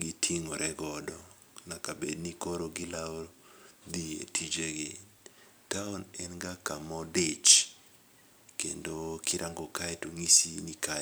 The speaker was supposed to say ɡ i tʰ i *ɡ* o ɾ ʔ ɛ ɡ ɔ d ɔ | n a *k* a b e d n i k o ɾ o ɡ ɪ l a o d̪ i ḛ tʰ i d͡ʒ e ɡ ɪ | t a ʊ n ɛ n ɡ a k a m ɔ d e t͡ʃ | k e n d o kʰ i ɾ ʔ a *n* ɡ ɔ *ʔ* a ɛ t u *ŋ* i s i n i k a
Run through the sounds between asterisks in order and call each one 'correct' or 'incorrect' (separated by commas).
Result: incorrect, correct, incorrect, incorrect, correct